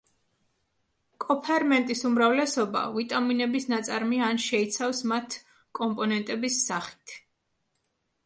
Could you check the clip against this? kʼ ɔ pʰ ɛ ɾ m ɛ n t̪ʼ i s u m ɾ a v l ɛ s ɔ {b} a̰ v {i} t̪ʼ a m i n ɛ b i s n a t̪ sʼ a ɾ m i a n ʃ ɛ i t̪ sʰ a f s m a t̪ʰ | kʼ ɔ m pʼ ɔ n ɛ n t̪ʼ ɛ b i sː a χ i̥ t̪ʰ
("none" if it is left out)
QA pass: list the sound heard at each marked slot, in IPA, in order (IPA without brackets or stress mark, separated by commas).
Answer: b, i